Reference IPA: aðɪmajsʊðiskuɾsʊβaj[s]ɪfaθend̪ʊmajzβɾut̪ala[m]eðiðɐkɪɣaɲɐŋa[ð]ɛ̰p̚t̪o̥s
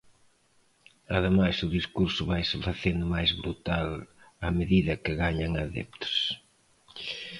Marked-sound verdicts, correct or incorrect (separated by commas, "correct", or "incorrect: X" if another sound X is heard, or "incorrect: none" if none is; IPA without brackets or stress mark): correct, correct, correct